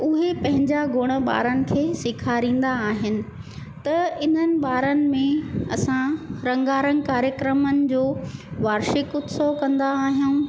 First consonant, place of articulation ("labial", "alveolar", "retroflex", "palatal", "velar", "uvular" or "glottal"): glottal